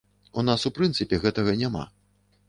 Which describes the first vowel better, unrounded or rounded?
rounded